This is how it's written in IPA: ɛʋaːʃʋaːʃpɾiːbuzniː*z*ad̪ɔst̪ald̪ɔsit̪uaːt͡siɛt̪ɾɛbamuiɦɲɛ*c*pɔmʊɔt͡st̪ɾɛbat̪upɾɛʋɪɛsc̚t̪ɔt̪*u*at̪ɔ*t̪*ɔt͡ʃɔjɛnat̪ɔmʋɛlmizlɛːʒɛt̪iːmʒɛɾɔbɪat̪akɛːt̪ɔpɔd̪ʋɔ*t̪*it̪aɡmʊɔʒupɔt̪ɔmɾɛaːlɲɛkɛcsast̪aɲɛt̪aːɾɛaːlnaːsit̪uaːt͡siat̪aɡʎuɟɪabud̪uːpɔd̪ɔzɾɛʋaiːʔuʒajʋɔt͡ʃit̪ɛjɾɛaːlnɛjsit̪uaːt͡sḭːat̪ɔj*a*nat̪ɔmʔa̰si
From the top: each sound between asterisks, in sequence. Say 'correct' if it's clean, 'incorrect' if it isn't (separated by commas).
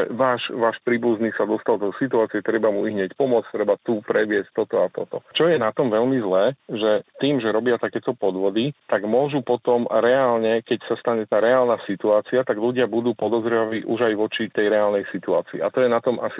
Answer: incorrect, correct, incorrect, correct, incorrect, incorrect